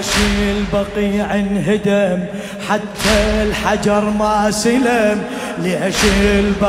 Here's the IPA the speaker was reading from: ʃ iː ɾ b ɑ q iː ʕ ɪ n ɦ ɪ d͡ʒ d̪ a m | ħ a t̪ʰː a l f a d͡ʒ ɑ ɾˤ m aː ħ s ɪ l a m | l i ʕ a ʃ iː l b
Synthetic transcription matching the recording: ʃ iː l b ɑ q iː ʕ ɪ n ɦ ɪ d̪ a m | ħ a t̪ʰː a l ħ a d͡ʒ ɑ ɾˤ m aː s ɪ l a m | l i ʕ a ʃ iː l b